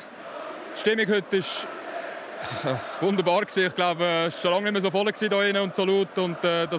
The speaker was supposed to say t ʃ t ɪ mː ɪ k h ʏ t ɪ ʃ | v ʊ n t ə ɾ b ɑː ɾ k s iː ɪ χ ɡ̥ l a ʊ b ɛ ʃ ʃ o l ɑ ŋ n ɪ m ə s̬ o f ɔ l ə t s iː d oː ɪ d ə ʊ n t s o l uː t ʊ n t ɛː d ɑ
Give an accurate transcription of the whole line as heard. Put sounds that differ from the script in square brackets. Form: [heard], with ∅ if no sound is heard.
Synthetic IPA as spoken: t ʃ t ɪ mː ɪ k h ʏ t ɪ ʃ | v ʊ n [d] ə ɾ b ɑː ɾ k s iː ɪ χ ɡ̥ l a ʊ b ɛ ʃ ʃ o l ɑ ŋ n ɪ m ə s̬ o f ɔ l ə [k] s iː d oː ɪ [n] ə ʊ n t s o l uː t ʊ n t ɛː d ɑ